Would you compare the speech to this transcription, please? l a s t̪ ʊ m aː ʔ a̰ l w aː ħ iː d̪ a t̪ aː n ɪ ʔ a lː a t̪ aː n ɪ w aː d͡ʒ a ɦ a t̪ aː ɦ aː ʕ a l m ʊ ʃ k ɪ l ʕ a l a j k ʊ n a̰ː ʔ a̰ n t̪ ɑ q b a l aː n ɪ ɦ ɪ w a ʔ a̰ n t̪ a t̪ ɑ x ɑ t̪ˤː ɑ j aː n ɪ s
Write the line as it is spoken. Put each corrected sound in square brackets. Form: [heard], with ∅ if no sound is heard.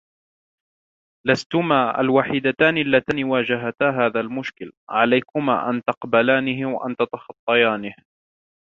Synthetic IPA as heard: l a s t̪ ʊ m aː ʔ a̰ l w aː ħ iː d̪ a t̪ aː n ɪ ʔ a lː a t̪ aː n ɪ w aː d͡ʒ a ɦ a t̪ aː ɦ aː [ð] a l m ʊ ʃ k ɪ l ʕ a l a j k ʊ [m] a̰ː ʔ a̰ n t̪ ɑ q b a l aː n ɪ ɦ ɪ w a ʔ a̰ n t̪ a t̪ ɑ x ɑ t̪ˤː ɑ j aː n ɪ [h]

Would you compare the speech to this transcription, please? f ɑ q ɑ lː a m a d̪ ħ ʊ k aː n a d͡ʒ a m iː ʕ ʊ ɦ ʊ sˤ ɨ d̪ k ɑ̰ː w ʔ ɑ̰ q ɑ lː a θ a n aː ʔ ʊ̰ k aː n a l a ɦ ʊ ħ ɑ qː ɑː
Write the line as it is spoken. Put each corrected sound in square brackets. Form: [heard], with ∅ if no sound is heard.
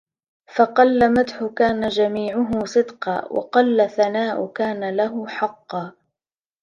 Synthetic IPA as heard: f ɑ q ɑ lː a m a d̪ ħ ʊ k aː n a d͡ʒ a m iː ʕ ʊ ɦ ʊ sˤ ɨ d̪ [q] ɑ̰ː w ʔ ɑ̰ q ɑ lː a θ a n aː ʔ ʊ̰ k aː n a l a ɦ ʊ ħ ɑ qː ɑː

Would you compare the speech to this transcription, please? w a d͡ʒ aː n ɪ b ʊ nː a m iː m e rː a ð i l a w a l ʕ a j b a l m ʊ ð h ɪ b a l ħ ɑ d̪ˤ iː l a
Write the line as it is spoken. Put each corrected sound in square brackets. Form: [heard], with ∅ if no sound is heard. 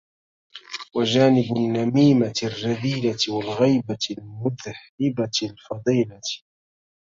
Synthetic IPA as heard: w a d͡ʒ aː n ɪ b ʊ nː a m iː m [a] rː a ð [iː] l a w a l [ɣ] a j b a l m ʊ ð h ɪ b a l [f] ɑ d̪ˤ iː l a

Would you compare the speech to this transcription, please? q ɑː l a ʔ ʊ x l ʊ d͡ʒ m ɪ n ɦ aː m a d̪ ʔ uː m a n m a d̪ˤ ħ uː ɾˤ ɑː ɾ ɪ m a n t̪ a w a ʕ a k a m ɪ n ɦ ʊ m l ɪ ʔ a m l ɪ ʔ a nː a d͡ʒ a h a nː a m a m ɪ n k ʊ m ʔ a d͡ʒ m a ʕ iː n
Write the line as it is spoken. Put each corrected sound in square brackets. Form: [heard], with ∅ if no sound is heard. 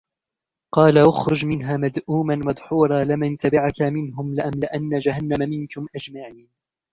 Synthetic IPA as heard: q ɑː l a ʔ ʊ x [ɾ] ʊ d͡ʒ m ɪ n ɦ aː m a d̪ ʔ uː m a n m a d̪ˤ ħ uː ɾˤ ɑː [l] ɪ m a n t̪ a [b] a ʕ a k a m ɪ n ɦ ʊ m l ɪ ʔ a m l ɪ ʔ a nː a d͡ʒ a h a nː a m a m ɪ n k ʊ m ʔ a d͡ʒ m a ʕ iː n

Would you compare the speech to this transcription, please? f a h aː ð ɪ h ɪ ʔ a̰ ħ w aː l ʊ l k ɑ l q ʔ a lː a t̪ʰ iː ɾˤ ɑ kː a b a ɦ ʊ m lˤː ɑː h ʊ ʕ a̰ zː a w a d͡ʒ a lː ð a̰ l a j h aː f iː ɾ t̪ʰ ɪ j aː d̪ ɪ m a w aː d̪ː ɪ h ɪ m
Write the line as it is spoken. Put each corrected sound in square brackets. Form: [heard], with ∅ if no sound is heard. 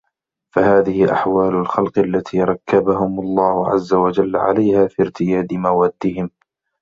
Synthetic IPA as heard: f a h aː ð ɪ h ɪ ʔ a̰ ħ w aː l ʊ l [x] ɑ l q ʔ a lː a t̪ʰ iː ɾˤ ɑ kː a b a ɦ ʊ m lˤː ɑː h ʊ ʕ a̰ zː a w a d͡ʒ a lː [ʕ] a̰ l a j h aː f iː ɾ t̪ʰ ɪ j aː d̪ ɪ m a w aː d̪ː ɪ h ɪ m

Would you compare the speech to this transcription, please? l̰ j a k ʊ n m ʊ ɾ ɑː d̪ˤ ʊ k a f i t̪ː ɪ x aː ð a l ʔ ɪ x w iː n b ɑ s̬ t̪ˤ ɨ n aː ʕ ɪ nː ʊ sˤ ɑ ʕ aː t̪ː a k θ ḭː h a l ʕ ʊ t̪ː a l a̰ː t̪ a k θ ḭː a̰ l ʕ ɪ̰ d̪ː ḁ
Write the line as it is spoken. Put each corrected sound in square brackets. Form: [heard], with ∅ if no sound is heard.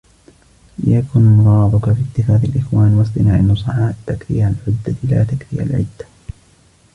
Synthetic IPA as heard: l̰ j a k ʊ n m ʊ ɾ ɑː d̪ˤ ʊ k a f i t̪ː ɪ x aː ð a l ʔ ɪ x w [aː] n [w] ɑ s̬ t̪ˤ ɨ n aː ʕ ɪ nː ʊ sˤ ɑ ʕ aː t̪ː a k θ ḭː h a l ʕ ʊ [d̪ː] a l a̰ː t̪ a k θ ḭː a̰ l ʕ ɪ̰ d̪ː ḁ

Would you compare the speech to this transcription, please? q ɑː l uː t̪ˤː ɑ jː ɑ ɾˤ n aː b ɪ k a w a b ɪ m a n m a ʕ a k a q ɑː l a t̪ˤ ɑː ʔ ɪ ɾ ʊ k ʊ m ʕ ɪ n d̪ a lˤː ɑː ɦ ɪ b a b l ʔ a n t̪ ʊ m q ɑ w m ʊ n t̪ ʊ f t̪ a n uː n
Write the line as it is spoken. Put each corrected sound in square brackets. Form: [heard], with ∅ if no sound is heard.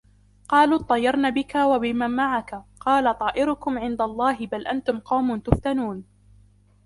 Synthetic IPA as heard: q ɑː l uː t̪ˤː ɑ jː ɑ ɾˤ n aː b ɪ k a w a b ɪ m a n m a ʕ a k a q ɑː l a t̪ˤ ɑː ʔ ɪ ɾ ʊ k ʊ m ʕ ɪ n d̪ a lˤː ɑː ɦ ɪ b a [∅] l ʔ a n t̪ ʊ m q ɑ w m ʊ n t̪ ʊ f t̪ a n uː n

